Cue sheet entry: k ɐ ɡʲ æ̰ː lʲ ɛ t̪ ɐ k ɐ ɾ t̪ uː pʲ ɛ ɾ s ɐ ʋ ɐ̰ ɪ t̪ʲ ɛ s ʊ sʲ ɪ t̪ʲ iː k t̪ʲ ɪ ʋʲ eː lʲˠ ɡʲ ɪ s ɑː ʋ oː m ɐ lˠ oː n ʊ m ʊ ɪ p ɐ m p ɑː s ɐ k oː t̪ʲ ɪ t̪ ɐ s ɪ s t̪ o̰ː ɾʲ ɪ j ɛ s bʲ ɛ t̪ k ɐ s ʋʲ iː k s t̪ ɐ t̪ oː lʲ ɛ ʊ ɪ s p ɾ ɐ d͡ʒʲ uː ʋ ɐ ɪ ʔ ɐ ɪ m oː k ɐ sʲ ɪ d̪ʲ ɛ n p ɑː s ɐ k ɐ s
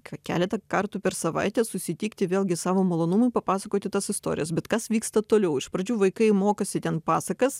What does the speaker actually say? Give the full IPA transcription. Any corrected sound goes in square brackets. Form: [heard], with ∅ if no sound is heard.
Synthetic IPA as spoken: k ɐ [kʲ] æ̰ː lʲ ɛ t̪ ɐ k ɐ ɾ t̪ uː pʲ ɛ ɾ s ɐ ʋ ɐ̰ ɪ t̪ʲ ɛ s ʊ sʲ ɪ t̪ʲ iː k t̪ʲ ɪ ʋʲ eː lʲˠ ɡʲ ɪ s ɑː ʋ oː m ɐ lˠ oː n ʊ m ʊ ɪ p ɐ [∅] p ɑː s ɐ k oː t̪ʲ ɪ t̪ ɐ s ɪ s t̪ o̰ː ɾʲ ɪ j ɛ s bʲ ɛ t̪ k ɐ s ʋʲ iː k s t̪ ɐ t̪ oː lʲ ɛ ʊ ɪ [ʃ] p ɾ ɐ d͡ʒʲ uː ʋ ɐ ɪ [k] ɐ ɪ m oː k ɐ sʲ ɪ [t̪ʲ] ɛ n p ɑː s ɐ k ɐ s